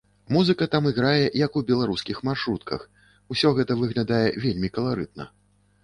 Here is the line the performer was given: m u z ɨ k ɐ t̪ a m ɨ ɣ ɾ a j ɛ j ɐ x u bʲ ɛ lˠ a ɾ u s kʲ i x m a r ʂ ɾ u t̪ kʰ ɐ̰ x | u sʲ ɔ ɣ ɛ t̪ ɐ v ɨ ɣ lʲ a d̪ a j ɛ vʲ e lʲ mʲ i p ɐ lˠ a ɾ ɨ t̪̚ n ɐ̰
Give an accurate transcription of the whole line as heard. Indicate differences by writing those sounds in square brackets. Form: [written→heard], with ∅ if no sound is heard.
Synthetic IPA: m u z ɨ k ɐ t̪ a m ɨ ɣ ɾ a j ɛ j ɐ [x→k] u bʲ ɛ lˠ a ɾ u s kʲ i x m a r ʂ ɾ u t̪ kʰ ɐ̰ x | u sʲ ɔ ɣ ɛ t̪ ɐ v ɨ ɣ lʲ a d̪ a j ɛ vʲ e lʲ mʲ i [p→k] ɐ lˠ a ɾ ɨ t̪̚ n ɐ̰